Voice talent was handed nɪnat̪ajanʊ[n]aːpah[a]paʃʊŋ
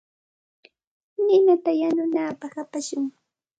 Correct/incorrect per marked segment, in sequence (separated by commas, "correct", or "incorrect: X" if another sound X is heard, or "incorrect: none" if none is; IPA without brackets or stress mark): correct, correct